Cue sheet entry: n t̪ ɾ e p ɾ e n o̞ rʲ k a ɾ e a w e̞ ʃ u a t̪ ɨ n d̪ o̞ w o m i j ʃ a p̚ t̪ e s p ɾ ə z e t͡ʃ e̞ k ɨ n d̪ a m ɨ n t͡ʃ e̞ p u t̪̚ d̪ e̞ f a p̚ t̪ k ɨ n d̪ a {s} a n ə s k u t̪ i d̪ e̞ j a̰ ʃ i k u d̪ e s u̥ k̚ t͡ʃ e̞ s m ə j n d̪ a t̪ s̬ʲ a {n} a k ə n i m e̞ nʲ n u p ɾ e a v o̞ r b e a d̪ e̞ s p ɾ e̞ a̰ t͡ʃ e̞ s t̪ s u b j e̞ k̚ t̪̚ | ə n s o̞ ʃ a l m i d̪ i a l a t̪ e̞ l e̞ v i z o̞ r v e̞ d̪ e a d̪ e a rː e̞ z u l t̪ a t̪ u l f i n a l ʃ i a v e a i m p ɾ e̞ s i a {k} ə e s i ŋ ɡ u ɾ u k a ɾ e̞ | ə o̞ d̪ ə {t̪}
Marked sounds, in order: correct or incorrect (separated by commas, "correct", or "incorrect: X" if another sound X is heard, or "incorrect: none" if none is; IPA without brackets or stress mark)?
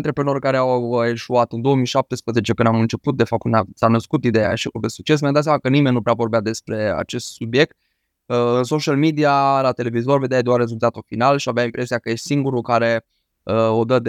correct, incorrect: m, correct, incorrect: d̪